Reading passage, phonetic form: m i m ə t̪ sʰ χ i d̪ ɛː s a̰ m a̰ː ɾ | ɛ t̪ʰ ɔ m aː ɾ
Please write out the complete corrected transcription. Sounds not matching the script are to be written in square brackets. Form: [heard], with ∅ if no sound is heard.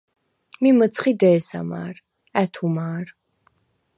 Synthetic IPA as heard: m i m ə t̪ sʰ χ i d̪ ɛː s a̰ m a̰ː ɾ | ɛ t̪ʰ [u] m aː ɾ